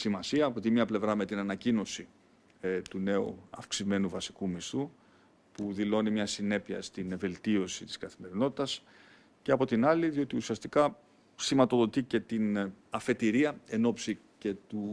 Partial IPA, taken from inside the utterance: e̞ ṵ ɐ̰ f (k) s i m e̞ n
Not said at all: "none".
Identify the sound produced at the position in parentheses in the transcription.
k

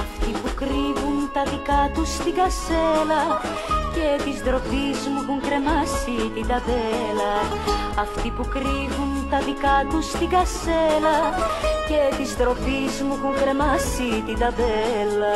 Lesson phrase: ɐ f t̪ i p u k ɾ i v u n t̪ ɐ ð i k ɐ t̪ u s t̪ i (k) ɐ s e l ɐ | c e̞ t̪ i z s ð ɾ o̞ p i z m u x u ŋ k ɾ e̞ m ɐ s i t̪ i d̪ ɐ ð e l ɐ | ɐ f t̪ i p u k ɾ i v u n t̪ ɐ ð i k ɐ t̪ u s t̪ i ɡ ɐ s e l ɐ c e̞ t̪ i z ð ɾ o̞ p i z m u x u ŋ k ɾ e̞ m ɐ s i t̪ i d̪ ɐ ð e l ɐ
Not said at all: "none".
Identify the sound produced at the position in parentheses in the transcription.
ɡ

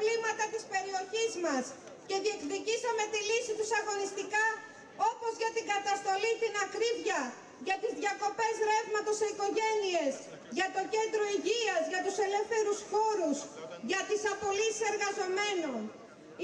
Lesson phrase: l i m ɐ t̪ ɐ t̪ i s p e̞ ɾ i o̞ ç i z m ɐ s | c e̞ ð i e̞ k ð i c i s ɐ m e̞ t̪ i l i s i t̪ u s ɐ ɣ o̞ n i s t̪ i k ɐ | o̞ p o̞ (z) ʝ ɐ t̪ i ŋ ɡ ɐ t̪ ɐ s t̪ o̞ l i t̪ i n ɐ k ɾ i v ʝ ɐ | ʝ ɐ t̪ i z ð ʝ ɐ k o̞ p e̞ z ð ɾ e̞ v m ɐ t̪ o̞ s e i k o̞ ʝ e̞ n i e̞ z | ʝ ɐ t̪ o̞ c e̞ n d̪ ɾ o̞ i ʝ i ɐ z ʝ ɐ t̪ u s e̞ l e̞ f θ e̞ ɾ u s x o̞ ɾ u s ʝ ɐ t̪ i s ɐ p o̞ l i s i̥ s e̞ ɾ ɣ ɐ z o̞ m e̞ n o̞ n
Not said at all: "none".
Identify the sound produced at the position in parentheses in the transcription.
z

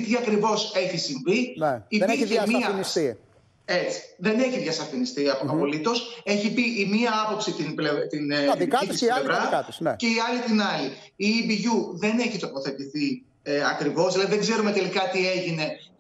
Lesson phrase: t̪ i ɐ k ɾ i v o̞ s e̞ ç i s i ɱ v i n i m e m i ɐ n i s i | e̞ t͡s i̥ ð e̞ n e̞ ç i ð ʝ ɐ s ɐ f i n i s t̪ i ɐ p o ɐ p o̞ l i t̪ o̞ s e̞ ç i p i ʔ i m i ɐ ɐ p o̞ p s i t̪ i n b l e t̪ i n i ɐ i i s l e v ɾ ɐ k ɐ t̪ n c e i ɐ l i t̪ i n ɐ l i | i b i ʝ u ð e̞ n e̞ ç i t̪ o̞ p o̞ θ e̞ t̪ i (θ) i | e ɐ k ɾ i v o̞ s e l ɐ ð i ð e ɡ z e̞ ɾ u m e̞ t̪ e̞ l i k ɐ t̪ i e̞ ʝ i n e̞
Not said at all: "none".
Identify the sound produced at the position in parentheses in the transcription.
θ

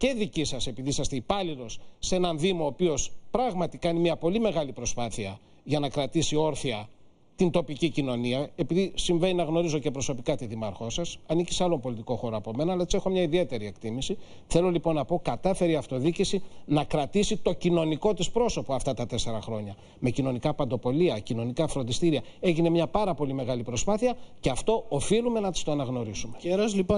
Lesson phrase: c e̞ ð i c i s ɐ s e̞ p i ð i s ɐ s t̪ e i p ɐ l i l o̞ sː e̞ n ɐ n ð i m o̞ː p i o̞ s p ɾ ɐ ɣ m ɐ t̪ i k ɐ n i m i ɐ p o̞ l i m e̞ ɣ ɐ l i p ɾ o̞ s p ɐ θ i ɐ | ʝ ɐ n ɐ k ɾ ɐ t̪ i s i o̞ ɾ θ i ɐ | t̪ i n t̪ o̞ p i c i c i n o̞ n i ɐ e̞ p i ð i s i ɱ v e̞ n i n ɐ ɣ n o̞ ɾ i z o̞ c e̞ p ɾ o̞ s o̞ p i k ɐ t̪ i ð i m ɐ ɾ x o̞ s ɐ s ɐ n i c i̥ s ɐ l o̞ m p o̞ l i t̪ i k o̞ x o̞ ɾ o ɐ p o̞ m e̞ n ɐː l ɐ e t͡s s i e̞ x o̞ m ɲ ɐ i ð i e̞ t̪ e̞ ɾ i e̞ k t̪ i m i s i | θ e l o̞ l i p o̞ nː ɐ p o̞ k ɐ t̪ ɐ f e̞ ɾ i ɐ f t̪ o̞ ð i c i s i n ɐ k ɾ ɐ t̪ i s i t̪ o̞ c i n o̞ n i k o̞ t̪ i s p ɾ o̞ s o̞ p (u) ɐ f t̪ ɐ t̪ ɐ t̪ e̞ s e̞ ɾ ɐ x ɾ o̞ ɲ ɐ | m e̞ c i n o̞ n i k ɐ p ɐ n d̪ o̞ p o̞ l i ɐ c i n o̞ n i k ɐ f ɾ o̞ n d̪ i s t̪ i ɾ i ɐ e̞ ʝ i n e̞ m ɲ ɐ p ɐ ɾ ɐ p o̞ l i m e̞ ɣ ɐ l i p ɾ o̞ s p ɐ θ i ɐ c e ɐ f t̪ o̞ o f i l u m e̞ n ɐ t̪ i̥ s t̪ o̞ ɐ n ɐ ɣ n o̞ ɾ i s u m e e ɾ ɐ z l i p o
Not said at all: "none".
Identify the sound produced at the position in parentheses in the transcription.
o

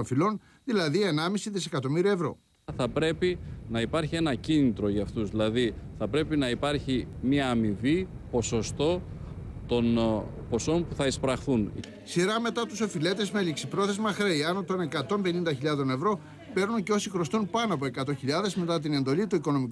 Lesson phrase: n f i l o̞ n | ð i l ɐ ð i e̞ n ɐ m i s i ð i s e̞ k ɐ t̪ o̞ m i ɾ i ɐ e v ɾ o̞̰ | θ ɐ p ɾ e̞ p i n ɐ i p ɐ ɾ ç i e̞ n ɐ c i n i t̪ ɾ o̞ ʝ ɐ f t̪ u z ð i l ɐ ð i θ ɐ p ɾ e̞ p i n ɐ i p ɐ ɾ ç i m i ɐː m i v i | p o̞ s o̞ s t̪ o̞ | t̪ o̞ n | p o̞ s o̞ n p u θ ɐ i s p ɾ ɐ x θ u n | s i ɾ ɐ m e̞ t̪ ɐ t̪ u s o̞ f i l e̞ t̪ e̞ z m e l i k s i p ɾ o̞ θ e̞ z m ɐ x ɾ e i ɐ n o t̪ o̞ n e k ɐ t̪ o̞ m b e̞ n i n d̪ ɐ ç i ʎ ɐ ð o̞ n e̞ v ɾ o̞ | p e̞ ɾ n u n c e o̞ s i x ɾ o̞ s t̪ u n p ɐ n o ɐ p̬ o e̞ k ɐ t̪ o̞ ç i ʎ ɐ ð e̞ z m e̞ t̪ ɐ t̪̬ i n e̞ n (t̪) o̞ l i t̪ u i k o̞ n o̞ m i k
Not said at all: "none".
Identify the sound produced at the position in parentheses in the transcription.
d̪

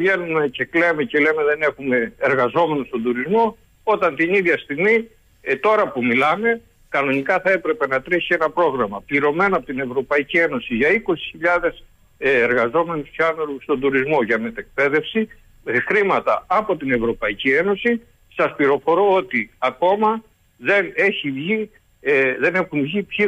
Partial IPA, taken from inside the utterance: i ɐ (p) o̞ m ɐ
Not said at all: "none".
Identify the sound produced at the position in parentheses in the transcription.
k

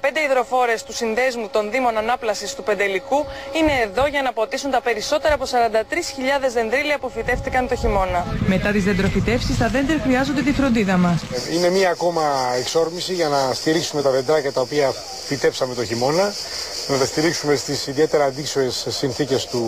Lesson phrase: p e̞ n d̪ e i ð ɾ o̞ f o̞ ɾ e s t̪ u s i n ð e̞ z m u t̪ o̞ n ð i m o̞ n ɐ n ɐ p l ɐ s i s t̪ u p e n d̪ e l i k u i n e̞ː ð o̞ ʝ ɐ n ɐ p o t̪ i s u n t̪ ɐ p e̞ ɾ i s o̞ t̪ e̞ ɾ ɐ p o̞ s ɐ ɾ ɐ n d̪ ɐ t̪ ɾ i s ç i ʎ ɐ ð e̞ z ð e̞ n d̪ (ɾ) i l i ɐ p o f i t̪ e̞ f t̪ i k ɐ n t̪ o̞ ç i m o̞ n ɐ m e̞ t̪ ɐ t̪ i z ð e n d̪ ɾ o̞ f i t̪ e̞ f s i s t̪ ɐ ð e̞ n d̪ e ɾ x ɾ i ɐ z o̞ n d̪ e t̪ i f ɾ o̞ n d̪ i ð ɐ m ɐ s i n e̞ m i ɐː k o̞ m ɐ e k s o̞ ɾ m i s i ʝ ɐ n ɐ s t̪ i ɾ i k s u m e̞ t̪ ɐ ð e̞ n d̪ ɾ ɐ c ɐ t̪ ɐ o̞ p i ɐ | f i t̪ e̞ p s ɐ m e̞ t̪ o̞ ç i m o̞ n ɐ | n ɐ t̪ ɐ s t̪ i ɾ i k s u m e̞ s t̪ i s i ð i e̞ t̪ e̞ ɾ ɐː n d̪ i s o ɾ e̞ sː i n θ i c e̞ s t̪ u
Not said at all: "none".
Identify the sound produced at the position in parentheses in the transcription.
ɾ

